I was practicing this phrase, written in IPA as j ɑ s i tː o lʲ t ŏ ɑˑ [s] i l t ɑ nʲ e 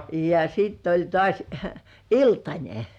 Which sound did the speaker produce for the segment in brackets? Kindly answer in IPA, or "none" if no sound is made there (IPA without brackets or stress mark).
s